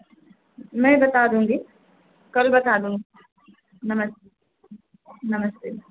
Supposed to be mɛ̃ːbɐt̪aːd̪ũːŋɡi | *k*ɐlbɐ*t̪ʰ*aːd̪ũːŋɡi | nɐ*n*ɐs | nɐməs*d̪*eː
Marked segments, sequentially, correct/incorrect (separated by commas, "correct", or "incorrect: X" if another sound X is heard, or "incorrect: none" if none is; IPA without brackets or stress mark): correct, incorrect: t̪, incorrect: m, incorrect: t̪